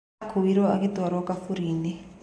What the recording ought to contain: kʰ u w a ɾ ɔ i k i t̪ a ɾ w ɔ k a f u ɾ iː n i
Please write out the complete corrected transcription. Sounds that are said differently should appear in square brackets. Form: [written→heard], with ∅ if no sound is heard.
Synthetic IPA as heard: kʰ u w [a→i] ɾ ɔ [i→a] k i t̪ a ɾ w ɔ k a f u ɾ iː n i